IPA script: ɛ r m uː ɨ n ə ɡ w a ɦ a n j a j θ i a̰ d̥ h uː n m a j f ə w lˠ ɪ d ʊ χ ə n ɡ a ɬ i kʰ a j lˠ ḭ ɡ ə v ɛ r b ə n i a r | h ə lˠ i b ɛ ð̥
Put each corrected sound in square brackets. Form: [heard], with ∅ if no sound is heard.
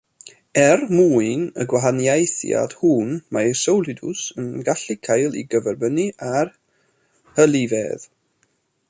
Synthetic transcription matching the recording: ɛ r m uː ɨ n ə ɡ w a ɦ a n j a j θ [j] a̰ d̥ h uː n m a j [s] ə w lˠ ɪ d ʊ [s] ə n ɡ a ɬ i kʰ a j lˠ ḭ ɡ ə v ɛ r b ə n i a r | h ə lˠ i [v] ɛ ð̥